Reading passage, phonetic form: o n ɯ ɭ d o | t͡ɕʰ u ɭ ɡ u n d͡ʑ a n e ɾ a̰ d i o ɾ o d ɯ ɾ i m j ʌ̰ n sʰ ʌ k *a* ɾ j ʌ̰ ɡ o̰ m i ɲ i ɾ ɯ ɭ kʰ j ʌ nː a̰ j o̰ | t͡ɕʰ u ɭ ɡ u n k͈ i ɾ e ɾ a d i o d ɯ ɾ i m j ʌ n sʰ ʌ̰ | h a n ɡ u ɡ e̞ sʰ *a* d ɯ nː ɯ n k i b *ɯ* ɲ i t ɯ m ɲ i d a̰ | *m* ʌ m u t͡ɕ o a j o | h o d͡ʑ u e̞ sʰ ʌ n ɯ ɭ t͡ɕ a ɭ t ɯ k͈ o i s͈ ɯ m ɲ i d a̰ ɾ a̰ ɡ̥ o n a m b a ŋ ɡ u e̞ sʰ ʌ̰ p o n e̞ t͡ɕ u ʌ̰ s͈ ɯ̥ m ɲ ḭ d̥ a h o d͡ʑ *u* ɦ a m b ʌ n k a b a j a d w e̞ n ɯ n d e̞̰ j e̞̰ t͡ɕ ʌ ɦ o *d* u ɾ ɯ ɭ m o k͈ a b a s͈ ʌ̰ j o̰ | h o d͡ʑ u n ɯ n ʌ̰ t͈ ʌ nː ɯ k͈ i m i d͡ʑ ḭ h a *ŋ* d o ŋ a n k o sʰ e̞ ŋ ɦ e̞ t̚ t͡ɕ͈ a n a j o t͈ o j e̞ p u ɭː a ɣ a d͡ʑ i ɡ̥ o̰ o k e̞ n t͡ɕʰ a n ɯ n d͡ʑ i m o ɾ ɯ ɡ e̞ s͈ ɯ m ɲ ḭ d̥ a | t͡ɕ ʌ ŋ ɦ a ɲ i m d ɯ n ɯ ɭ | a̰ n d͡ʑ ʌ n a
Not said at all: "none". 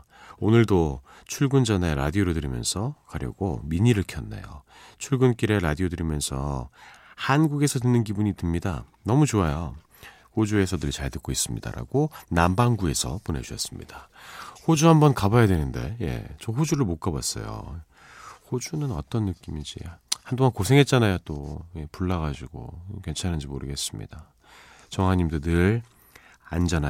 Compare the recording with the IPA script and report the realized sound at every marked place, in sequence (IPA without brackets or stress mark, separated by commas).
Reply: a, ʌ, u, n, u, d͡ʑ, n